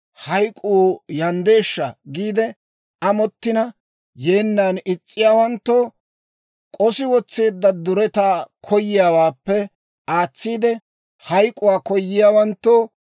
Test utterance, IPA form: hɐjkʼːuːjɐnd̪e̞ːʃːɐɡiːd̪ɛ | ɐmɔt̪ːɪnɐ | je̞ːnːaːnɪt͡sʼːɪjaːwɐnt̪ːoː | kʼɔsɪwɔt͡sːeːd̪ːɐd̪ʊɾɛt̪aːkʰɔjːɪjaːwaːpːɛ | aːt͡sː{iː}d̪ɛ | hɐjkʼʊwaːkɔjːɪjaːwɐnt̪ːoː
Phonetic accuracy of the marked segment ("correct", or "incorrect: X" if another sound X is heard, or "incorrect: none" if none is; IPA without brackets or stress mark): correct